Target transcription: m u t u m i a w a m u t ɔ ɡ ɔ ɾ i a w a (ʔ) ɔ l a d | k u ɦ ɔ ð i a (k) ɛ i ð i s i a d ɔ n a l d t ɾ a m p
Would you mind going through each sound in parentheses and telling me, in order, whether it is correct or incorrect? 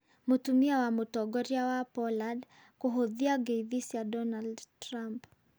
incorrect, incorrect

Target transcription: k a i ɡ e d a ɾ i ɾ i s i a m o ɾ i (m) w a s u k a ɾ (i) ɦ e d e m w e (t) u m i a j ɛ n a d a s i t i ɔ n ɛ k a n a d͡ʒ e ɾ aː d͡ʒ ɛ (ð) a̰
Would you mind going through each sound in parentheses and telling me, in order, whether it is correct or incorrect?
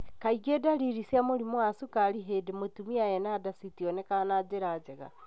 correct, correct, correct, incorrect

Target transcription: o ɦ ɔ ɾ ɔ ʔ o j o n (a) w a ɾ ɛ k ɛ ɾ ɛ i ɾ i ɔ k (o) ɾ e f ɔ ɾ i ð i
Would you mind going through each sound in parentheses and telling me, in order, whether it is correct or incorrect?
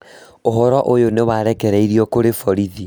incorrect, correct

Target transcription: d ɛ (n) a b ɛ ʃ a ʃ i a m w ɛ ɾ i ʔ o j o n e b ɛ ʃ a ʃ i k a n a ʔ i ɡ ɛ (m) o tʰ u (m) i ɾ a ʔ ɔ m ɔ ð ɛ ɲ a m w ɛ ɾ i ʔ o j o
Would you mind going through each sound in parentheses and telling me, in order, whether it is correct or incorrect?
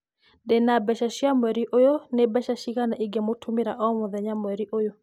correct, correct, correct

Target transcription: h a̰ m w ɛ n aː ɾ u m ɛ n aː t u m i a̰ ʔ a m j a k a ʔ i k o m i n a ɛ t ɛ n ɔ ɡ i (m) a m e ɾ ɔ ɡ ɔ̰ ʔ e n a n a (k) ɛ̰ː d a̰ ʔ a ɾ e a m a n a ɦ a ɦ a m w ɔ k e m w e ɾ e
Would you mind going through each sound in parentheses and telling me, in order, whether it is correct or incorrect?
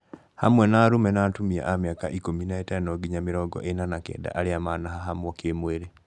incorrect, correct

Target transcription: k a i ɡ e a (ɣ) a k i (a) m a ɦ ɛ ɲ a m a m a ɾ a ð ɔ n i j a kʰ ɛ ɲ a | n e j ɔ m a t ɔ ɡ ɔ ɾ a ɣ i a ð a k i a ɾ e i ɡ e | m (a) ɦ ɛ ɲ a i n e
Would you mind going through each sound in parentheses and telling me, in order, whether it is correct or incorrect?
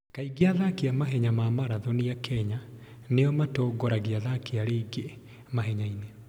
incorrect, correct, correct

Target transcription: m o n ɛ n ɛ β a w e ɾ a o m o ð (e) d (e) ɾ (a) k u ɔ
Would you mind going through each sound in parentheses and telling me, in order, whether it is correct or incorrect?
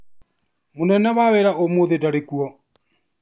correct, incorrect, incorrect

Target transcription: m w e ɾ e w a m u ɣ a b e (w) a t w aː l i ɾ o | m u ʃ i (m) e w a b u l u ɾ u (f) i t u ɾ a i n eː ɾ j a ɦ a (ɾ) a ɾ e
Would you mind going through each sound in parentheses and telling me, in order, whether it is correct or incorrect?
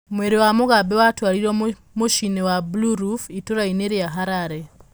correct, incorrect, correct, correct

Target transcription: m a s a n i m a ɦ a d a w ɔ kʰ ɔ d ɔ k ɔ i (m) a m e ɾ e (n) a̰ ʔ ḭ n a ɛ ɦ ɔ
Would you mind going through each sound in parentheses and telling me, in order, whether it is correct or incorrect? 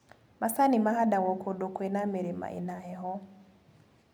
incorrect, incorrect

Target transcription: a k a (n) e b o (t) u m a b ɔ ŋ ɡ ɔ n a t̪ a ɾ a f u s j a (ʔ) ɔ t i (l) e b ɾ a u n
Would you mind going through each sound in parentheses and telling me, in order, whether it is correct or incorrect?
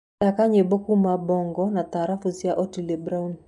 incorrect, incorrect, correct, correct

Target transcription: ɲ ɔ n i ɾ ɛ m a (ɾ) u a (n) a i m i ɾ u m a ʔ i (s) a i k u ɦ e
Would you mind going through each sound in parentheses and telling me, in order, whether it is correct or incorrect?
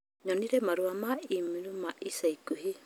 correct, incorrect, correct

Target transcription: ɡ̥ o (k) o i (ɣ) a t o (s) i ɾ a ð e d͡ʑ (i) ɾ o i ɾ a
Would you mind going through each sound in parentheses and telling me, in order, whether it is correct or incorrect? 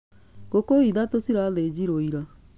correct, incorrect, correct, correct

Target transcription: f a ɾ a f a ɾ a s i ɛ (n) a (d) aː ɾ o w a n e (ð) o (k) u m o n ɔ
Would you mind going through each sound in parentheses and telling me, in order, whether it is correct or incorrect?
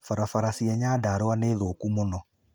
incorrect, correct, correct, correct

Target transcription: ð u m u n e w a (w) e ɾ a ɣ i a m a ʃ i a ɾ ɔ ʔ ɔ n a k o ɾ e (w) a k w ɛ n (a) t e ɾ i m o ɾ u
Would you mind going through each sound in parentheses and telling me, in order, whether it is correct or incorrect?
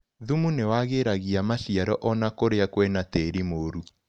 incorrect, incorrect, correct

